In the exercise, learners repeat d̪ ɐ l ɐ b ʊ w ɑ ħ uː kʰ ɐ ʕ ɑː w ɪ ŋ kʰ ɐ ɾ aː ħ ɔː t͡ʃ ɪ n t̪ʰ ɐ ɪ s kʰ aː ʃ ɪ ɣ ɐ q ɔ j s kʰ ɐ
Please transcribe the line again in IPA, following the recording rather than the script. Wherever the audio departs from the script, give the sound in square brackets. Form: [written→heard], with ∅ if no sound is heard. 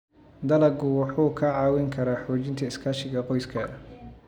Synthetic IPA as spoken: d̪ ɐ l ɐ [b→ɡ] ʊ w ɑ ħ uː kʰ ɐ ʕ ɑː w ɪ ŋ kʰ ɐ ɾ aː ħ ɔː t͡ʃ ɪ n t̪ʰ ɐ ɪ s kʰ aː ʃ ɪ ɣ ɐ q ɔ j s kʰ ɐ